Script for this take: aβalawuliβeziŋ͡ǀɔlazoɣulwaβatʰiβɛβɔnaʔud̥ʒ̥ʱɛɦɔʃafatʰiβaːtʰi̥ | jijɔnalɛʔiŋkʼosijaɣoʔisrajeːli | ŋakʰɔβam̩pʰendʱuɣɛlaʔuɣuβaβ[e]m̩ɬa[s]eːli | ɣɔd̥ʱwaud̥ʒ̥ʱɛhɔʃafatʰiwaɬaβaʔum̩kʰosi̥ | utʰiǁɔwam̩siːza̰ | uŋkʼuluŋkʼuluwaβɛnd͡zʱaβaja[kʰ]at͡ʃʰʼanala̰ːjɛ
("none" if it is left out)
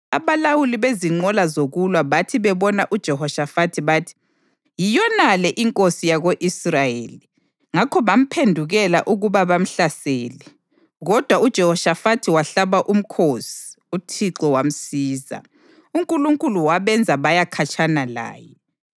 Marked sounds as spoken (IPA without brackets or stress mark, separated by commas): a, s, kʰ